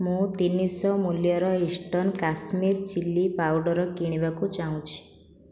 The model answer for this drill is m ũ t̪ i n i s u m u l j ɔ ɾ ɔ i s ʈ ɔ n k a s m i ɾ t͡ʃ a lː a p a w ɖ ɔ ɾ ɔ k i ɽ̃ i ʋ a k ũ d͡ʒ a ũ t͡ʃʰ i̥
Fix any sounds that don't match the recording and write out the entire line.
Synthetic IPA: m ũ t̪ i n i s ɔ m u l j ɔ ɾ ɔ i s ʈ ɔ n k a s m i ɾ t͡ʃ i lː i p a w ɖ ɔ ɾ ɔ k i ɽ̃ i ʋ a k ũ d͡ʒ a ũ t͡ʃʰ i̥